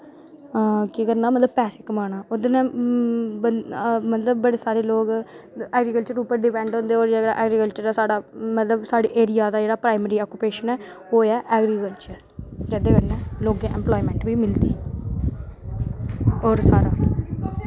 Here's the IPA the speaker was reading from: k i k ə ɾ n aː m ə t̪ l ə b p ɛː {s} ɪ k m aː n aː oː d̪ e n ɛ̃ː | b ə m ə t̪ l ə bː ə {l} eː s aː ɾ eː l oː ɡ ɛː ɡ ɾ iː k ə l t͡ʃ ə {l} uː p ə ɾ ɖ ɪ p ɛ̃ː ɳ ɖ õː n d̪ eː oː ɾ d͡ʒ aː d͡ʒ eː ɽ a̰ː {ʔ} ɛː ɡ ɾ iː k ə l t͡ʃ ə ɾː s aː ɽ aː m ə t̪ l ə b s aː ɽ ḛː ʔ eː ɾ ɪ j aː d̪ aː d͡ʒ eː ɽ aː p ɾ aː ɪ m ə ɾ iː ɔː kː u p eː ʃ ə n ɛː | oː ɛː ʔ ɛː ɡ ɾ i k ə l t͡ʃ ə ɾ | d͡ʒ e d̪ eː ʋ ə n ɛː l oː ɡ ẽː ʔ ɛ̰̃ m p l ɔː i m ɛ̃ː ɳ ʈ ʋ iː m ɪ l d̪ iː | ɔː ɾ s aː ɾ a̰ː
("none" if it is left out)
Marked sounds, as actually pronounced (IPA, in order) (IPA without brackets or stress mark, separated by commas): s, ɽ, ɾ, ʔ